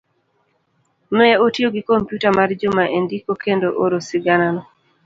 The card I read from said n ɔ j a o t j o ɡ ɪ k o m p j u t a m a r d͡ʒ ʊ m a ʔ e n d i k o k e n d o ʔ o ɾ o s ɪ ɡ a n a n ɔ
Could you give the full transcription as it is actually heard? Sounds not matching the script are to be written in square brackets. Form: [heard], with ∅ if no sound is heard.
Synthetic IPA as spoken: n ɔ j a o t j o ɡ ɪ k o m p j u t a m a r d͡ʒ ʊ m a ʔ e n d i k o k e n d o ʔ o ɾ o s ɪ ɡ a n a n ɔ